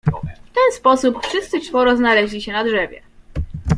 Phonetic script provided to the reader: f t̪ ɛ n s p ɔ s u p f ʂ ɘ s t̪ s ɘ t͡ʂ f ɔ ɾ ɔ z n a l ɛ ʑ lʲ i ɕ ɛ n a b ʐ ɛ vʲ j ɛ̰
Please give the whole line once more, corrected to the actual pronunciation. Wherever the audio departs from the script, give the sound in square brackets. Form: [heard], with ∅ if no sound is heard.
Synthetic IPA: f t̪ ɛ n s p ɔ s u p f ʂ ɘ s t̪ s ɘ t͡ʂ f ɔ ɾ ɔ z n a l ɛ ʑ lʲ i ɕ ɛ n a [d] ʐ ɛ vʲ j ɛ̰